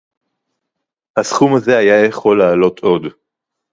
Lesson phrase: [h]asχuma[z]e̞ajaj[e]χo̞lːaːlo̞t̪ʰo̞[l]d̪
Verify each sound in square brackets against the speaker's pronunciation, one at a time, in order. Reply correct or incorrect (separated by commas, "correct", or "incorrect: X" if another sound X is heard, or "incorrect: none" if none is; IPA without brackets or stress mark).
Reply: correct, correct, correct, incorrect: none